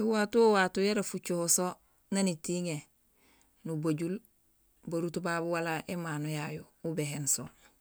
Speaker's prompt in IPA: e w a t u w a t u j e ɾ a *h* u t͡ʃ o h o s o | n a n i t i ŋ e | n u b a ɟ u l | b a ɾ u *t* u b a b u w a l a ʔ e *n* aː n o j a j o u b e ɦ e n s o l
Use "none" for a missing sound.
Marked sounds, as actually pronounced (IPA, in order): f, t, m

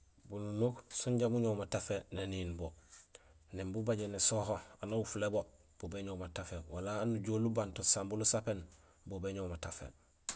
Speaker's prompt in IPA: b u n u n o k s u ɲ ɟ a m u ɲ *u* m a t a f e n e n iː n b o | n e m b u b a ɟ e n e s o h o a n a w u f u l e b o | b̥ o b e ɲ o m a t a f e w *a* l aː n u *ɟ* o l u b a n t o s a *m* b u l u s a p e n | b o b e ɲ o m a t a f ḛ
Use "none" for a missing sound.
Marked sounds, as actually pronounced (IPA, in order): o, a, ɟ, m

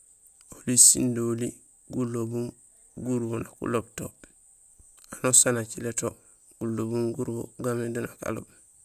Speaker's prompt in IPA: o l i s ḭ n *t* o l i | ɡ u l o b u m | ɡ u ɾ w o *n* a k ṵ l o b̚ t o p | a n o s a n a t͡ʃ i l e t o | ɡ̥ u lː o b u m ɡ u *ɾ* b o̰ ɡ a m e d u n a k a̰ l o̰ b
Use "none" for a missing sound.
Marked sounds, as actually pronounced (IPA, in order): d, n, ɾ

